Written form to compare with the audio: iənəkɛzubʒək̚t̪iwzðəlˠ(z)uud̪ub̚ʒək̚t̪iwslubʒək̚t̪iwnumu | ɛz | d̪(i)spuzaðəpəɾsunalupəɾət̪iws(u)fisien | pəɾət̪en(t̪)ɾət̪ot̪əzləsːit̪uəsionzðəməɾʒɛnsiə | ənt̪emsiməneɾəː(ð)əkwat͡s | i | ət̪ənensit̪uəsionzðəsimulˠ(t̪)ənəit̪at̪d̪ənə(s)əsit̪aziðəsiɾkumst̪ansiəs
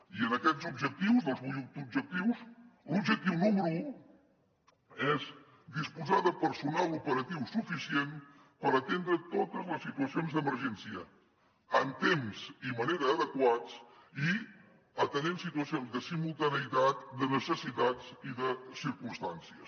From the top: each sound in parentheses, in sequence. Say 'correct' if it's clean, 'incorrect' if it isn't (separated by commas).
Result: correct, correct, correct, incorrect, correct, correct, correct